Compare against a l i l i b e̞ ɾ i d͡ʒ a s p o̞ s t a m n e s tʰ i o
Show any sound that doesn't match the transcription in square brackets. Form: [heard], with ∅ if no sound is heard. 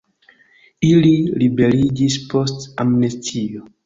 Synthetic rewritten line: [i] l i l i b e̞ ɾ i d͡ʒ [i] s p o̞ s t a m n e s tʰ i o